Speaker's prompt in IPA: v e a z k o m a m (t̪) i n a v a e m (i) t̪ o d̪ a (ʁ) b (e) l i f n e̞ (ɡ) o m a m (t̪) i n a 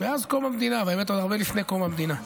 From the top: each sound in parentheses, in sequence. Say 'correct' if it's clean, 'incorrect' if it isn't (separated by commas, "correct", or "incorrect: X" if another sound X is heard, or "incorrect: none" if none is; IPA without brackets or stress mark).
incorrect: d̪, incorrect: e, correct, correct, incorrect: k, incorrect: d̪